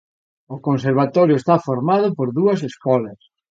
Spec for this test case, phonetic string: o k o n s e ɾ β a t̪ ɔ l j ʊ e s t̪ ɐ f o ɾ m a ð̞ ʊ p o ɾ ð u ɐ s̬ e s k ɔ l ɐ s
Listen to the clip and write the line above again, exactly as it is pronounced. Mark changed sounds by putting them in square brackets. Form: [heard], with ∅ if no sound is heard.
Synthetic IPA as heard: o k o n s e ɾ β a t̪ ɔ [ɾ] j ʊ e s t̪ [a] f o ɾ m a ð̞ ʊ p o ɾ ð u ɐ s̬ e s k ɔ l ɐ s